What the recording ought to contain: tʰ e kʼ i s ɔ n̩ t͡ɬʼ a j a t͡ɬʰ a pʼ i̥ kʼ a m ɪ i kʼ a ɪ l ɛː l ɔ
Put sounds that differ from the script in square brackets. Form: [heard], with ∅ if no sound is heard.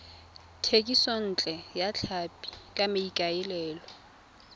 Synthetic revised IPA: tʰ e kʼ i s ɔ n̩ t͡ɬʼ [ɛ] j a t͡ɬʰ a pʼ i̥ kʼ a m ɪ i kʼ a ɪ l ɛː l ɔ